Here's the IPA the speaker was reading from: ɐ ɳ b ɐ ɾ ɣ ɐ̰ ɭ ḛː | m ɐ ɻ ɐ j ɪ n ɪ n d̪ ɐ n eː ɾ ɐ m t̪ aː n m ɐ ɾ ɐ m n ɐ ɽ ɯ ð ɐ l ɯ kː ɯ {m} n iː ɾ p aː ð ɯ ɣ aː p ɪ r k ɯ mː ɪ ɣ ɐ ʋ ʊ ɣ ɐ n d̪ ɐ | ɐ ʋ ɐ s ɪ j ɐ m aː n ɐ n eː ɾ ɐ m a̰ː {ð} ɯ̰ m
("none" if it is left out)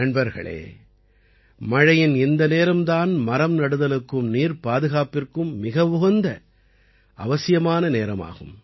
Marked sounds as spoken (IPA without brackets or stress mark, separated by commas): m, ɣ